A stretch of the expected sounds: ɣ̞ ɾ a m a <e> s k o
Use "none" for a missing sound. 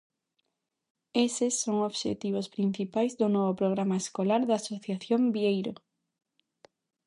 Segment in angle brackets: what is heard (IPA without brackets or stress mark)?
e